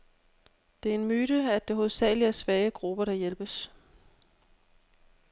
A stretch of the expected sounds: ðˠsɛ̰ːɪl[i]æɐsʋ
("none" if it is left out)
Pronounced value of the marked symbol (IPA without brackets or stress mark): i